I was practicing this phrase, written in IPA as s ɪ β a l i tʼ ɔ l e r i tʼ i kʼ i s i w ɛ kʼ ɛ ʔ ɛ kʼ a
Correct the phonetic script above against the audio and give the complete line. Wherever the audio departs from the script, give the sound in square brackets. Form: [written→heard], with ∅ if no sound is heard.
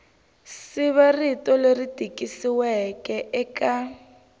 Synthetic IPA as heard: s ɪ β a [l→r] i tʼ ɔ l e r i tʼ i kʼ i s i w ɛ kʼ ɛ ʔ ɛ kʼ a